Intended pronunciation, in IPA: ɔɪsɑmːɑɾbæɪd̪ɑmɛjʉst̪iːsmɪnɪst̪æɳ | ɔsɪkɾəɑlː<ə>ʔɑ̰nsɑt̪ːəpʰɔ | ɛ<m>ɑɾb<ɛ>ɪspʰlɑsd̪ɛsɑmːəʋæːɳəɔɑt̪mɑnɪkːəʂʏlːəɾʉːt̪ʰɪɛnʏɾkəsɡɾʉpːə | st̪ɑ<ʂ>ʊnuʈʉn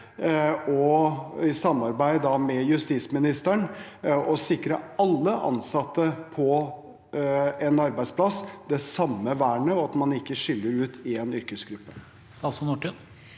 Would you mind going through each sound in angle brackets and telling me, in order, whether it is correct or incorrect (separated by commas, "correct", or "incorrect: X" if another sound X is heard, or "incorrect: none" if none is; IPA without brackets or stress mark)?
correct, incorrect: n, incorrect: æ, incorrect: s